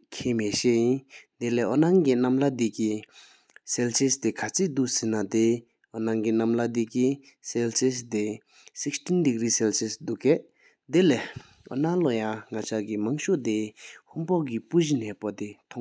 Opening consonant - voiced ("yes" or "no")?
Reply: no